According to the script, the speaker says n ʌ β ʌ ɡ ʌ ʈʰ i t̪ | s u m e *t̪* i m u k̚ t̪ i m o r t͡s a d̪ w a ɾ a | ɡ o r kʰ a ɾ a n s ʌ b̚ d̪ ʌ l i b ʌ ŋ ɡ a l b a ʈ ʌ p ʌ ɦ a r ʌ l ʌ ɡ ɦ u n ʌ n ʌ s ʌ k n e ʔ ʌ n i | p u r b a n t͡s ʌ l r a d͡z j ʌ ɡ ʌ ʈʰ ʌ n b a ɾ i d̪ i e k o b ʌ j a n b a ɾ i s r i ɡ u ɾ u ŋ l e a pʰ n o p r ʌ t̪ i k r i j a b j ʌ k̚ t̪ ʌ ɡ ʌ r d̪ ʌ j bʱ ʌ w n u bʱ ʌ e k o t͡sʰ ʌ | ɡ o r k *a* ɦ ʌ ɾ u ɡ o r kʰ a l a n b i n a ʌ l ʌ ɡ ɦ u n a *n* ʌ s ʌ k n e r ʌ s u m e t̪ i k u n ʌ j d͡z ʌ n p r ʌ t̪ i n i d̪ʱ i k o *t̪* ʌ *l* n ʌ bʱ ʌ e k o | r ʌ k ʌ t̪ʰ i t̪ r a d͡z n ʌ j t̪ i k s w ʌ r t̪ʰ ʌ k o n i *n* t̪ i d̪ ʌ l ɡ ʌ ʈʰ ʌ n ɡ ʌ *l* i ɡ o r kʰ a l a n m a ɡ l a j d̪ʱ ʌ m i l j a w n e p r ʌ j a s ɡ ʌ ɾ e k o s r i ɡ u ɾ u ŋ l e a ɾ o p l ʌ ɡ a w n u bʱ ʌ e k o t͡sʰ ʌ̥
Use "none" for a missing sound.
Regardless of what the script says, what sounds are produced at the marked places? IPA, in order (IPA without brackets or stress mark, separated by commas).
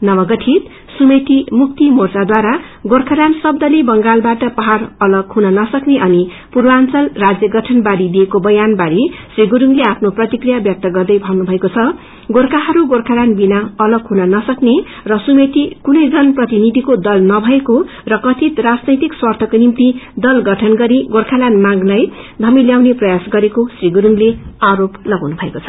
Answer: t̪, a, n, d̪, l, m, ɾ